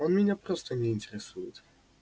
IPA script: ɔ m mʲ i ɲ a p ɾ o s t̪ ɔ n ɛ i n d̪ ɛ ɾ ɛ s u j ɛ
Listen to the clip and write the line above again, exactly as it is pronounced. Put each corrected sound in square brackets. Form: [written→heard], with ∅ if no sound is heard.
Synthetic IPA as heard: ɔ [m→n] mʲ i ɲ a p ɾ [o→ɔ] s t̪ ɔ [n→ɲ] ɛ i n [d̪→t̪] ɛ ɾ ɛ s u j ɛ

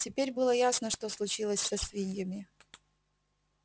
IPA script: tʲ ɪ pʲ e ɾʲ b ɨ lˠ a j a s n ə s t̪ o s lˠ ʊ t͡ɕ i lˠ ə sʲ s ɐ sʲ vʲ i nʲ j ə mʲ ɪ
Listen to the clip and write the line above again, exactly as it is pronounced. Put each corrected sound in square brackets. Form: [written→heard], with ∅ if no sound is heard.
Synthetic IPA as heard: tʲ ɪ pʲ e ɾʲ b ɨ lˠ [a→ə] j a s n ə [s→ʂ] t̪ o s lˠ ʊ t͡ɕ i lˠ ə sʲ s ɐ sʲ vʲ i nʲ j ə mʲ ɪ

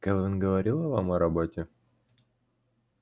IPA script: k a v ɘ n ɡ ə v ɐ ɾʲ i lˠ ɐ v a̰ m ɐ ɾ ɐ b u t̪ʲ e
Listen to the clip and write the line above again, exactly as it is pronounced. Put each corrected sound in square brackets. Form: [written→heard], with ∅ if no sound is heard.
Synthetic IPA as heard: k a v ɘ n ɡ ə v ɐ ɾʲ i lˠ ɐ v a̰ m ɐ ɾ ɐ b [u→o] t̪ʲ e

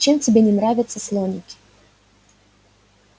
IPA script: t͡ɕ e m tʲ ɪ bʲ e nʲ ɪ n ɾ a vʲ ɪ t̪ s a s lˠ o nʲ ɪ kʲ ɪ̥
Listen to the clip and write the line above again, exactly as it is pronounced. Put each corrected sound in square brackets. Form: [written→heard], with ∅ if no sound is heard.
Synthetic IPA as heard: t͡ɕ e m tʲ ɪ bʲ e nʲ ɪ n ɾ a vʲ ɪ t̪ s [a→ə] s lˠ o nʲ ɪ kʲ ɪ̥

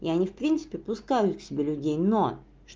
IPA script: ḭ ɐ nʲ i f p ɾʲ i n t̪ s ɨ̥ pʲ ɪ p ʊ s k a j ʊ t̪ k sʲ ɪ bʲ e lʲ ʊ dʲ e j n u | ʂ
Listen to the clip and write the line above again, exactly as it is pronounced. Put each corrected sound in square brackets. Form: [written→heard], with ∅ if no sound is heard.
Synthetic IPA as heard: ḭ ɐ nʲ i f p ɾʲ i n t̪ s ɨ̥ pʲ ɪ p ʊ s k a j ʊ t̪ k sʲ ɪ bʲ e lʲ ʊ dʲ e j n [u→o] | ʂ

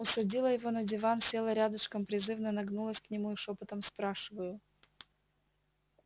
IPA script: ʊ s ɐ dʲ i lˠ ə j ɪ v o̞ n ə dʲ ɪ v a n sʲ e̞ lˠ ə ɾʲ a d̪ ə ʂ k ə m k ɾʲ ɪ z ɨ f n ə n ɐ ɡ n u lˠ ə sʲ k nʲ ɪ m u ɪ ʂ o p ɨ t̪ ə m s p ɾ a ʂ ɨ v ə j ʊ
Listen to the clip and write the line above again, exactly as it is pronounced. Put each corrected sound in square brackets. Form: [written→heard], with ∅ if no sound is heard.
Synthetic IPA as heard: ʊ s ɐ dʲ i lˠ ə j ɪ v o̞ n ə dʲ ɪ v a n sʲ e̞ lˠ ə ɾʲ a d̪ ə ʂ k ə m [k→p] ɾʲ ɪ z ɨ [f→v] n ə n ɐ ɡ n u lˠ ə sʲ k nʲ ɪ m u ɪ ʂ o p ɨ t̪ ə m s p ɾ a ʂ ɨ v ə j ʊ

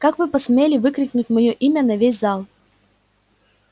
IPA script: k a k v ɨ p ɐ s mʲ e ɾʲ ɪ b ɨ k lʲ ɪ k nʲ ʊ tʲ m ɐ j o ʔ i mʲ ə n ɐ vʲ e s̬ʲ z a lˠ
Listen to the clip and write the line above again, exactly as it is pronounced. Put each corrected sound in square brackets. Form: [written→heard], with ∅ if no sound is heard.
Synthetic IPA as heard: k a k v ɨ p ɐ s mʲ e [ɾʲ→lʲ] ɪ [b→v] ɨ k [lʲ→ɾʲ] ɪ k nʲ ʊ tʲ m ɐ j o ʔ i mʲ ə n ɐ vʲ e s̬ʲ z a lˠ

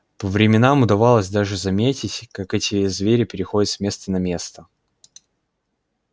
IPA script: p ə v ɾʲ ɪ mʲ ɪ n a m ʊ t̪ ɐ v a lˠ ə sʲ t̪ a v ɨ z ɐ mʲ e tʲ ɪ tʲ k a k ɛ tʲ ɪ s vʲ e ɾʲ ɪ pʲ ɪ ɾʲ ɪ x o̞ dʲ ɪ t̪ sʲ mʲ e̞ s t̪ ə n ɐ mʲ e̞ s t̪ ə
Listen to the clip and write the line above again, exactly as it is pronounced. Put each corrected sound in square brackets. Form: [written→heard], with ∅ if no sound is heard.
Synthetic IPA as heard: p ə v ɾʲ ɪ mʲ ɪ n a m ʊ [t̪→d̪] ɐ v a lˠ ə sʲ [t̪→d̪] a [v→ʐ] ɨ z ɐ mʲ e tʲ ɪ tʲ k a k ɛ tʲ ɪ [s→z] vʲ e ɾʲ ɪ pʲ ɪ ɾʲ ɪ x o̞ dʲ ɪ t̪ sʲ mʲ e̞ s t̪ ə n ɐ mʲ e̞ s t̪ ə

